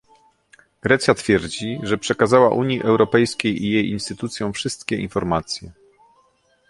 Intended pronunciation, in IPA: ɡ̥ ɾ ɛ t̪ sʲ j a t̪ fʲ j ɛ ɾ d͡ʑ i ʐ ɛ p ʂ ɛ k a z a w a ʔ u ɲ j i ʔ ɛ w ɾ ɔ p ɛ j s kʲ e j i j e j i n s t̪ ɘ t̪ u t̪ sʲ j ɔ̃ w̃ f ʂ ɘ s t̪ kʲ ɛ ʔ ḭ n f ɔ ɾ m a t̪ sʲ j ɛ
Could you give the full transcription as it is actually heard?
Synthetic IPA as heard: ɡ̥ ɾ ɛ t̪ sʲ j a t̪ fʲ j ɛ ɾ d͡ʑ i ʐ ɛ p ʂ ɛ k a z a w a ʔ u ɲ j i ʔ ɛ w ɾ ɔ p ɛ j s kʲ e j i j e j i n s t̪ ɘ t̪ u t̪ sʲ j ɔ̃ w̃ f ʂ ɘ s t̪ kʲ ɛ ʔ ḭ n f ɔ ɾ m a t̪ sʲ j ɛ